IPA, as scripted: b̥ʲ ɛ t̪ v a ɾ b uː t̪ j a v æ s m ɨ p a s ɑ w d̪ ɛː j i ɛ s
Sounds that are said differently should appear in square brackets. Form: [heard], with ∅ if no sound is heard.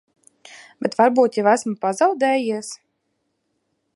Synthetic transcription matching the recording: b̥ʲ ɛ t̪ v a ɾ b uː t̪ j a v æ s m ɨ p a [z] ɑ w d̪ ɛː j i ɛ s